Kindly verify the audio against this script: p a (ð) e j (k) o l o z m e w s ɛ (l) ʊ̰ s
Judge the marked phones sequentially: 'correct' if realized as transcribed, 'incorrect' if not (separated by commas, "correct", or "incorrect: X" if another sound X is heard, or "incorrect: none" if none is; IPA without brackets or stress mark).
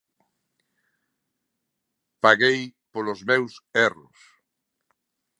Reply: incorrect: ɣ, incorrect: p, incorrect: r